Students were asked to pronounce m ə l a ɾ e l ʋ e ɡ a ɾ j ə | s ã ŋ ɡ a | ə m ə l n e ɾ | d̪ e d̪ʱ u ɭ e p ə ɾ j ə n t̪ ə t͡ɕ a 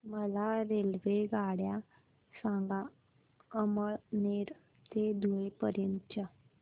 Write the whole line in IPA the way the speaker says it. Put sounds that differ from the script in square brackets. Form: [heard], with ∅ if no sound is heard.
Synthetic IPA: m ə l a ɾ e l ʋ e ɡ a [ɽ] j [a] | s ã ŋ ɡ a | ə m ə [ɭ] n e ɾ | [t̪] e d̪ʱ u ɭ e p ə ɾ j ə n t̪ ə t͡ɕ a